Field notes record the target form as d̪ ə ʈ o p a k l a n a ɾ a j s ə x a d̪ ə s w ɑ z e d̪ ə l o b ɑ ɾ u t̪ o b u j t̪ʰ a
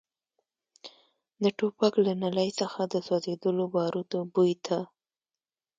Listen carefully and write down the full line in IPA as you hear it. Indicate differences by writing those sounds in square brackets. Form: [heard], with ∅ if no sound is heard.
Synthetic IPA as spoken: d̪ ə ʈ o p a k l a n a [l] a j s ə x a d̪ ə s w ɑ z e d̪ ə l o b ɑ ɾ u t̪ o b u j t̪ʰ a